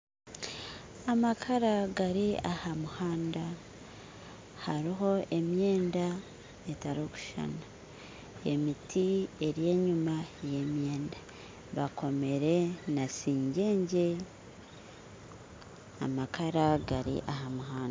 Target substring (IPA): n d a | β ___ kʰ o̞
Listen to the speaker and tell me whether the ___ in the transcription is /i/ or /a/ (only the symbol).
a